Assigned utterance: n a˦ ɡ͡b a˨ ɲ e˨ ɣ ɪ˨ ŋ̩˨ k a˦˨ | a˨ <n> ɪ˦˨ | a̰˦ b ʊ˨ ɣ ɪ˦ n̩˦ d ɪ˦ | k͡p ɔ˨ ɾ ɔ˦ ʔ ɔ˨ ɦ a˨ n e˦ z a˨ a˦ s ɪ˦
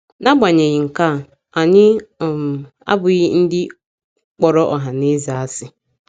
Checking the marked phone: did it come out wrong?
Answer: yes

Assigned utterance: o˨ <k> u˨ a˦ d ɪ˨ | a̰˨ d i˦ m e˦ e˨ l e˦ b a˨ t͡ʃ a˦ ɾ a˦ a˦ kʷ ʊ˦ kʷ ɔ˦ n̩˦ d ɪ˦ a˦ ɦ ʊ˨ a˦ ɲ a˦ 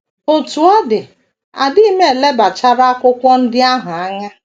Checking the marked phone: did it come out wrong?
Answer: yes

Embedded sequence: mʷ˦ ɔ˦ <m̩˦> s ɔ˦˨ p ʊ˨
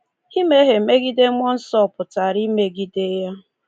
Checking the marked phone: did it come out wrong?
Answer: yes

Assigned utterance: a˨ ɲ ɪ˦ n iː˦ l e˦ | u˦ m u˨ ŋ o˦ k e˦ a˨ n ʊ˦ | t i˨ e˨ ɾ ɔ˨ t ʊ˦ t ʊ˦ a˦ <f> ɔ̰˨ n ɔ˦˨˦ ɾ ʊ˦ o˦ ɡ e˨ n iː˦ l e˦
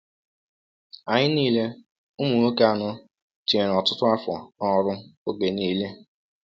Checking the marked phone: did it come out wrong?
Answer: no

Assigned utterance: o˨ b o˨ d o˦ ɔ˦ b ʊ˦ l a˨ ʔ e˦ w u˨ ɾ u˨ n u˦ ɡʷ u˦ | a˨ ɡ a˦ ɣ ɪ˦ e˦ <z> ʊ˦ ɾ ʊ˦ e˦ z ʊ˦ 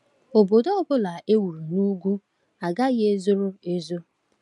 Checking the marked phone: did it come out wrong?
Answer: no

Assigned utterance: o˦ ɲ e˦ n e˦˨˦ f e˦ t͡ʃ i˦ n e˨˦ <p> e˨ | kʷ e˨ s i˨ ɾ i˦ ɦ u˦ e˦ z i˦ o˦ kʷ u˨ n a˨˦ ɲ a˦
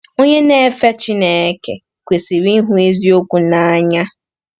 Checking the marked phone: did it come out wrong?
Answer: yes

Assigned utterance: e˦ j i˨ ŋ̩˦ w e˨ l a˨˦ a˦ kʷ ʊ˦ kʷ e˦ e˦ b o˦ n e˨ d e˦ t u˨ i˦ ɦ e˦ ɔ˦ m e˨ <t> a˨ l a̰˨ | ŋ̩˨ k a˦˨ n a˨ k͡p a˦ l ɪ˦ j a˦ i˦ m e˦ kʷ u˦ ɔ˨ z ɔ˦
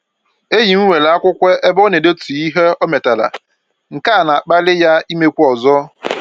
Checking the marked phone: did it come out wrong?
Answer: no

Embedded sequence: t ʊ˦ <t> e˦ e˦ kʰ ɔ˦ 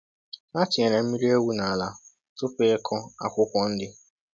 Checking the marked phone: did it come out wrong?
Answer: yes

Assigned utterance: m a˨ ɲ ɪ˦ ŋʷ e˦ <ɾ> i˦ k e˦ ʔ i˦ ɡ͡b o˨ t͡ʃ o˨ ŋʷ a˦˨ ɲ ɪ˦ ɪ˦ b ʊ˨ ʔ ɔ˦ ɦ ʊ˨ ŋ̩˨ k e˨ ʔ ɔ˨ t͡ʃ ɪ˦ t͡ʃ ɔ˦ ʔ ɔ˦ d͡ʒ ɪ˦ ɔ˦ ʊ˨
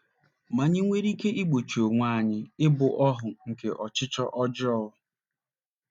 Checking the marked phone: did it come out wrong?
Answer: no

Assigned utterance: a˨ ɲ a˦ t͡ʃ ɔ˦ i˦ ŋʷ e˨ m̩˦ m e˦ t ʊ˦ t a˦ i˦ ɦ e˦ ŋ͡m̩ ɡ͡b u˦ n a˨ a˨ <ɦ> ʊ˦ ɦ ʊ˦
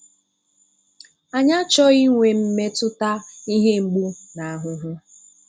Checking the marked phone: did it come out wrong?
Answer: no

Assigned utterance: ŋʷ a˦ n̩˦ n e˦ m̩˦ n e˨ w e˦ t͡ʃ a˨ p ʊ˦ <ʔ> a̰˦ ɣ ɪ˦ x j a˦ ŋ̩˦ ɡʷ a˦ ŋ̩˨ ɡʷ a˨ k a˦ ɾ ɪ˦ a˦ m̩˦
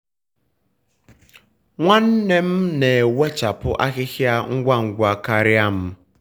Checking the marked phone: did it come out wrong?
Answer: no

